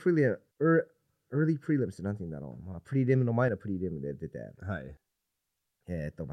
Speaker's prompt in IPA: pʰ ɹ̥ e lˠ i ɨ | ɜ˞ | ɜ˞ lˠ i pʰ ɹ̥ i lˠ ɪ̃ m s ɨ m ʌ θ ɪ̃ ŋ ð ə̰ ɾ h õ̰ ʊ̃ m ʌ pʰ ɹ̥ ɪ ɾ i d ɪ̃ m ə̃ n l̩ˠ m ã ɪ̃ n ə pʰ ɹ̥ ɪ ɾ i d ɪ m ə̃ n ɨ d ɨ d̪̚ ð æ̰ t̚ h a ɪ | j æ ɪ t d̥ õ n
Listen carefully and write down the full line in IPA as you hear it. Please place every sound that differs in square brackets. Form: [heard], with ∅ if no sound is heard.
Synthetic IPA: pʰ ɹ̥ [i] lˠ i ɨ | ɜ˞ | ɜ˞ lˠ i pʰ ɹ̥ i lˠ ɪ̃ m s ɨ [n] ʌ θ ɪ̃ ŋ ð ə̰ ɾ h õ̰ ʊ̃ m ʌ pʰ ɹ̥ ɪ ɾ i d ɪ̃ m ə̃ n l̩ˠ m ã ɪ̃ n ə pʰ ɹ̥ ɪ ɾ i d ɪ m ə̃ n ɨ d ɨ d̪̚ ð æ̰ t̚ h a ɪ | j æ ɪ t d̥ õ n